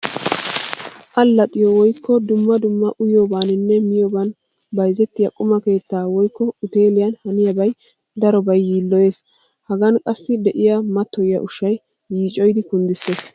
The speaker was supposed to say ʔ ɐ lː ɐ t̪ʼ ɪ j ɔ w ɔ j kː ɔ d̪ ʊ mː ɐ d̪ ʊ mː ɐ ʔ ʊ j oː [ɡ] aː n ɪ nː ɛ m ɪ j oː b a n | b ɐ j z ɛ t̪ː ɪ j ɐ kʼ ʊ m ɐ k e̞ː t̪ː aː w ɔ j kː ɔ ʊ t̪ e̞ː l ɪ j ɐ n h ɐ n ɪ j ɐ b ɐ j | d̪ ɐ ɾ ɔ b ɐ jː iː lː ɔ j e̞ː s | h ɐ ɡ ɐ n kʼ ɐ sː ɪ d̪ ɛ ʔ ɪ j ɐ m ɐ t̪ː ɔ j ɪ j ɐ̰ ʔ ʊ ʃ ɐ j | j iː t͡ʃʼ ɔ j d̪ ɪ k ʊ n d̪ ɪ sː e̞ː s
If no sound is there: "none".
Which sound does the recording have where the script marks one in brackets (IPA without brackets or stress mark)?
b